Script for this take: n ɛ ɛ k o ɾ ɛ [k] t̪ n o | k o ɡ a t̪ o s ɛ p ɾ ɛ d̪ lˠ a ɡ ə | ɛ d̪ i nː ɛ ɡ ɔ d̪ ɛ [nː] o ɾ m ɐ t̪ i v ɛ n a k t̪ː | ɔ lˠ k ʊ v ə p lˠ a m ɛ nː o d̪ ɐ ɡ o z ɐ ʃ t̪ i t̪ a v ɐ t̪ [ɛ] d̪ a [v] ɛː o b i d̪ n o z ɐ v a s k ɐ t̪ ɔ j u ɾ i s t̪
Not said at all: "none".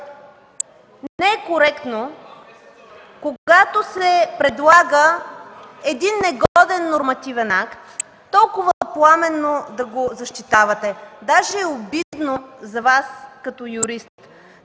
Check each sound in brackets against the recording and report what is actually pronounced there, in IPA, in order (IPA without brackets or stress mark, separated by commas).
k, nː, ɛ, ʒ